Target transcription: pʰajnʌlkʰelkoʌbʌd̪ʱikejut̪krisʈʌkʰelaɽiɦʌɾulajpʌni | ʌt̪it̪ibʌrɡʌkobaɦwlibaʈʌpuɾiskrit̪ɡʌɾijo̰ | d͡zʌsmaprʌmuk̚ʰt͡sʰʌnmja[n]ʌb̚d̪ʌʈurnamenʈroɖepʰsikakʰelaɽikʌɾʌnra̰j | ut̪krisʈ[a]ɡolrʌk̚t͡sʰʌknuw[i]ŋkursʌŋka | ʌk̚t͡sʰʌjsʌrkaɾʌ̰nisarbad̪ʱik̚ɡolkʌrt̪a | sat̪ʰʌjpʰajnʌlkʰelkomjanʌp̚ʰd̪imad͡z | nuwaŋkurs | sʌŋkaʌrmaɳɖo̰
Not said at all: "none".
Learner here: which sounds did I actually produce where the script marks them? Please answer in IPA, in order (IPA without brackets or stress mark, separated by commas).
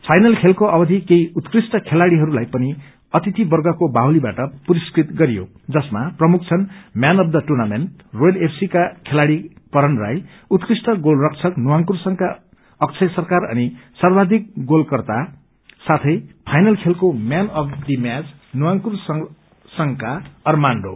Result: n, ʌ, a